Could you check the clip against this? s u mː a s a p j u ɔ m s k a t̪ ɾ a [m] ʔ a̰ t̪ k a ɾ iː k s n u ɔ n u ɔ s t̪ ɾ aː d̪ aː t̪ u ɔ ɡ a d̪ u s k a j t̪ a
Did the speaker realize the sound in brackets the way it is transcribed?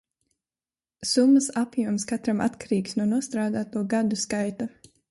yes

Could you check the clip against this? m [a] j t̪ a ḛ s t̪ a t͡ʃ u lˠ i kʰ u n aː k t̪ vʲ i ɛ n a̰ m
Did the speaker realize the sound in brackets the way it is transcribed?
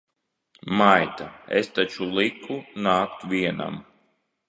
yes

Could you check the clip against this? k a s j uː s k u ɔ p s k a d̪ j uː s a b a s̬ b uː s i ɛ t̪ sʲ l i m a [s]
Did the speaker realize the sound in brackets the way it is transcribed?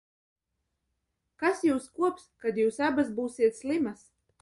yes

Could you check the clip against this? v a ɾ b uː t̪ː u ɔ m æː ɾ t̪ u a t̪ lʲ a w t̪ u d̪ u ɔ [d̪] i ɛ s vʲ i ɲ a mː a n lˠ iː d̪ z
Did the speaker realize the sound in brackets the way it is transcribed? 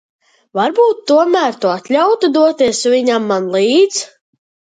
no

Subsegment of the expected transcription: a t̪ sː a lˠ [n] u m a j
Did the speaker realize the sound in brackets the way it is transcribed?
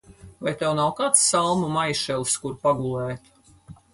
no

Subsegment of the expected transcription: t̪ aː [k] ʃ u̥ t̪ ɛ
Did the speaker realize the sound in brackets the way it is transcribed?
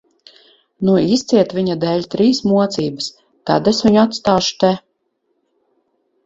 no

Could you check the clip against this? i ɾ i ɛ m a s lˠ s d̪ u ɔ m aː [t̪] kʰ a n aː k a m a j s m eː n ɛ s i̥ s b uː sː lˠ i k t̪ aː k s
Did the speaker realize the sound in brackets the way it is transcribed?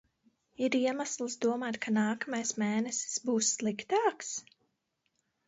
yes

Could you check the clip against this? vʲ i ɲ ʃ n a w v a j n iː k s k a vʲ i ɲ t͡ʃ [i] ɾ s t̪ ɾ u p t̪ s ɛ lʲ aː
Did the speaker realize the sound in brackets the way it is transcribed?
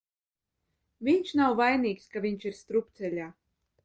yes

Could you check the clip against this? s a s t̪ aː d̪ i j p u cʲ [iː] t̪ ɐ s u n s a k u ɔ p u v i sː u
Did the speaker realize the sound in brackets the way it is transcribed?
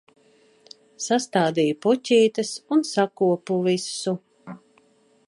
yes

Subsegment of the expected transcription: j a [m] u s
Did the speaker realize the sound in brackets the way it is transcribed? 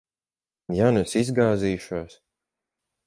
no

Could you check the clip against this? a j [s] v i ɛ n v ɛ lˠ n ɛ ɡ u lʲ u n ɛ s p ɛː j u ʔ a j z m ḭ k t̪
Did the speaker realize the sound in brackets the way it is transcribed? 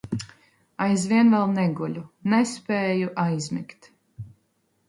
no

